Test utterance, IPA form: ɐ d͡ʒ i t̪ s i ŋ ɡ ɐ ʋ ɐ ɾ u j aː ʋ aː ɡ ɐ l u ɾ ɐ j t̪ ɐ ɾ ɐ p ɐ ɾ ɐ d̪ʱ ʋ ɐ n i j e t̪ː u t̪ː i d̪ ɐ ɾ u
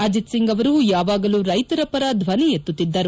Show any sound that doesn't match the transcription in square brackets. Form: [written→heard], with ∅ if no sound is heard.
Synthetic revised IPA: ɐ d͡ʒ i t̪ s i ŋ ɡ ɐ ʋ ɐ ɾ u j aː ʋ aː ɡ ɐ l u ɾ ɐ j t̪ ɐ ɾ ɐ p ɐ ɾ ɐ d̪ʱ ʋ ɐ n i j e t̪ː u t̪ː i [d̪→d̪ː] ɐ ɾ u